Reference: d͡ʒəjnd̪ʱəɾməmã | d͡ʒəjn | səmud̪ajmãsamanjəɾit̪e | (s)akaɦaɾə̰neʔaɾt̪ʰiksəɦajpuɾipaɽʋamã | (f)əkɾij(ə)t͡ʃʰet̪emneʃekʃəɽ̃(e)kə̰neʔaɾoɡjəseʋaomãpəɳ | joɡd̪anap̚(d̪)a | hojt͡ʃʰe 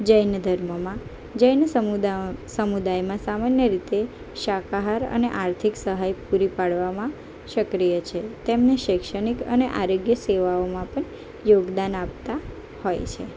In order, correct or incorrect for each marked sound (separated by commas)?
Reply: incorrect, incorrect, correct, incorrect, incorrect